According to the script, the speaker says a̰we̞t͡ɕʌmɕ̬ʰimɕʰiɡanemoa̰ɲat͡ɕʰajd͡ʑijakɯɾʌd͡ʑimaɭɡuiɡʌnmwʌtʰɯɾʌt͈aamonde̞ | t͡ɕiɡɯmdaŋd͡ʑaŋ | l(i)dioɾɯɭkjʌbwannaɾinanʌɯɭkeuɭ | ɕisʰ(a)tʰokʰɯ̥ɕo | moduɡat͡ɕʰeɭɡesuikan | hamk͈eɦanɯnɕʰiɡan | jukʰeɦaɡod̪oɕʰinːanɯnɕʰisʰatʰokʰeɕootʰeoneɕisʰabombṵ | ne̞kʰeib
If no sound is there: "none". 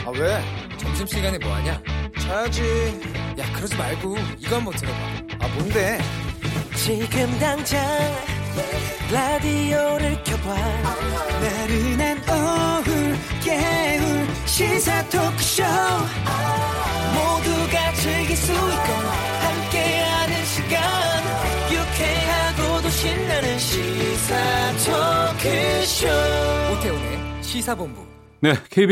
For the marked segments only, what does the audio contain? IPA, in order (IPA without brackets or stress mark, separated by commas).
a, a